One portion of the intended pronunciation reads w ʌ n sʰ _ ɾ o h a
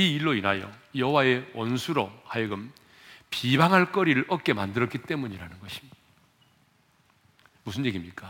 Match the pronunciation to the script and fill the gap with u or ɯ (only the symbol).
u